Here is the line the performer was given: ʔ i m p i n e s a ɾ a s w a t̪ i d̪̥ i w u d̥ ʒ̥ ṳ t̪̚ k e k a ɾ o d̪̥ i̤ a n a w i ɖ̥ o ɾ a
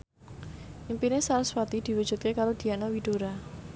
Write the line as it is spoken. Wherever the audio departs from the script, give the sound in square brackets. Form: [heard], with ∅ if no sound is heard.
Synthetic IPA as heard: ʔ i m p i n e s a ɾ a s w a t̪ i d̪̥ i w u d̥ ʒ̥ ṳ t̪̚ k e k a ɾ o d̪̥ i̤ a n a w i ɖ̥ o ɾ a